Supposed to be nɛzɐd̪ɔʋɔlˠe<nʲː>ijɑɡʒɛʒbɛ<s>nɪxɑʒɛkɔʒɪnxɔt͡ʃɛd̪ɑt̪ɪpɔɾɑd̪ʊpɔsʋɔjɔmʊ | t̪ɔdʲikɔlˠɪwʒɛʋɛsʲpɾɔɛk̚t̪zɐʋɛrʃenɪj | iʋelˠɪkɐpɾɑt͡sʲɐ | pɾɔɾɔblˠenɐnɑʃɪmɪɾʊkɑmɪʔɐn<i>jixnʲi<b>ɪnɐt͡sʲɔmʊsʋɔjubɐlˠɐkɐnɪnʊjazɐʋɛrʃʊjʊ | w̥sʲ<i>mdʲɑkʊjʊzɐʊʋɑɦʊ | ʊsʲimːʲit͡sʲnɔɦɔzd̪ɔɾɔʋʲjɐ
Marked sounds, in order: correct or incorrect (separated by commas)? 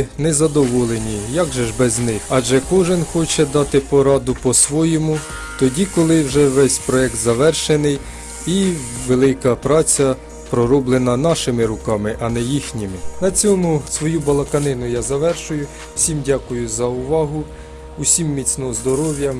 incorrect, incorrect, incorrect, incorrect, correct